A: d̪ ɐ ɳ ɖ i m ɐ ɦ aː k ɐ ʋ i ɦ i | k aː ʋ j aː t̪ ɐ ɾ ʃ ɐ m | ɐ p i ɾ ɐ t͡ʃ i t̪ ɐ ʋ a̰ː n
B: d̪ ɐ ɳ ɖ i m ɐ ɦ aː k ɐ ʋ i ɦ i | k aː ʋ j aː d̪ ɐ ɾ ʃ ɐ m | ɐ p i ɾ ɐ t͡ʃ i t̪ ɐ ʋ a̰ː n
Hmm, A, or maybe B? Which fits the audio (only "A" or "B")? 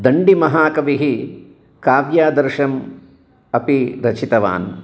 B